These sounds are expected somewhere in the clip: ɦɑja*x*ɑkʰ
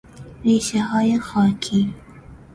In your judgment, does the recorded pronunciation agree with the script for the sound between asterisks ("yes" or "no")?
yes